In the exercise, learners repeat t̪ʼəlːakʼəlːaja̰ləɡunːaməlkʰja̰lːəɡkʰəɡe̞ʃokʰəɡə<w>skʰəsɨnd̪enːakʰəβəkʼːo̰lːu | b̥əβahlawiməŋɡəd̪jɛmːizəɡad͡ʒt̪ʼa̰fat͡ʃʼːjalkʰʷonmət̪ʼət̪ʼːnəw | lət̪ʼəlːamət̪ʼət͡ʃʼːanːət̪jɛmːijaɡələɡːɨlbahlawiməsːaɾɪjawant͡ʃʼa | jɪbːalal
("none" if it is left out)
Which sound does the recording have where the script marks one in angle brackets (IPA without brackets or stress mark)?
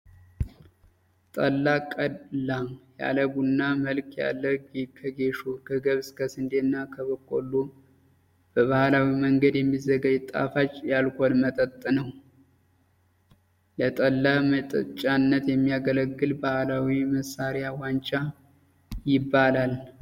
β